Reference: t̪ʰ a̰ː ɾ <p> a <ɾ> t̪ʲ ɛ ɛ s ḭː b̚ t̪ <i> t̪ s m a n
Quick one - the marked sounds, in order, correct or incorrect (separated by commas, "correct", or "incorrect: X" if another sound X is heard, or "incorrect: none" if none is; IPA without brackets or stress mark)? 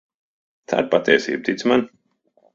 correct, incorrect: none, correct